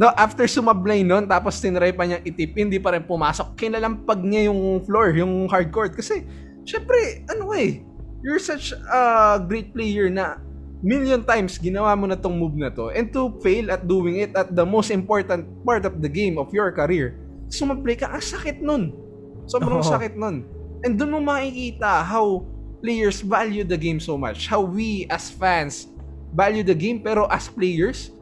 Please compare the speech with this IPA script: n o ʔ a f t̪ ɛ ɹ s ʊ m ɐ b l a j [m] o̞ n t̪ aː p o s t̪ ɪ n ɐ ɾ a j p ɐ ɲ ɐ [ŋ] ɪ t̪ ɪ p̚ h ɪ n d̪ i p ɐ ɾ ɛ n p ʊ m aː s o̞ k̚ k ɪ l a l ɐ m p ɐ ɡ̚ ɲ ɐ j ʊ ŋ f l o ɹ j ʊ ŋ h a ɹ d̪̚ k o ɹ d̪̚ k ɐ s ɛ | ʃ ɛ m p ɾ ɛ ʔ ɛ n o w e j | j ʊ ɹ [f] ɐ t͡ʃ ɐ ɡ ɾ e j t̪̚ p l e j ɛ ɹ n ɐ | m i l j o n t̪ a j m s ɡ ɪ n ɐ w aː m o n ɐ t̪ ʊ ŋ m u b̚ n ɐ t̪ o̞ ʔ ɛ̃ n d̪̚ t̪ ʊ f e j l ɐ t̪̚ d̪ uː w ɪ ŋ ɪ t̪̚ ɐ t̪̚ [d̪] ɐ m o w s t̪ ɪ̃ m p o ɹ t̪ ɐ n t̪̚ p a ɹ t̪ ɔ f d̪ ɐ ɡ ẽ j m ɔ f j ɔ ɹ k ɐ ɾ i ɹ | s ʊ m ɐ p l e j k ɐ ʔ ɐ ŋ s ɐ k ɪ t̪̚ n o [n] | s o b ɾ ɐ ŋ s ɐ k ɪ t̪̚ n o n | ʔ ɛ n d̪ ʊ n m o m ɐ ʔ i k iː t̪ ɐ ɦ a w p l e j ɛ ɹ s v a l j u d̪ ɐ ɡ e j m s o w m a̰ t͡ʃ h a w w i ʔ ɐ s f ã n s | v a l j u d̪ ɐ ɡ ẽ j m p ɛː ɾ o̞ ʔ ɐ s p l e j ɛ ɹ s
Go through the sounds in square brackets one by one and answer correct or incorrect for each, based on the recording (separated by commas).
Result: incorrect, correct, incorrect, correct, correct